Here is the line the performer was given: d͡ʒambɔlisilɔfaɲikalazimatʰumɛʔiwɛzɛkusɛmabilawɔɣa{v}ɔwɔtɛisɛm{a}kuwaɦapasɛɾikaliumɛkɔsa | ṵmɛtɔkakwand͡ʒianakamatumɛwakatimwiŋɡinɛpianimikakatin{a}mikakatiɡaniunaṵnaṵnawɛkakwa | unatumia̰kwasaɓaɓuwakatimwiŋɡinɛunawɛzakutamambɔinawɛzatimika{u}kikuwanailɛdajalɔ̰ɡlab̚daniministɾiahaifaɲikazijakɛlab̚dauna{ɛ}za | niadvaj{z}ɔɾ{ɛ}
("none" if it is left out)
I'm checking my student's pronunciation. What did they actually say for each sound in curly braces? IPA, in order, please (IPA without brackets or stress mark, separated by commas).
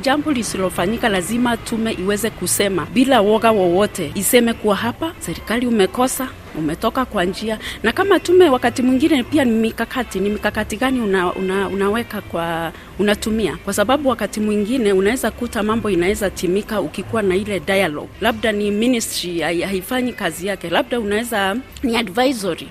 w, ɛ, i, u, ɛ, z, i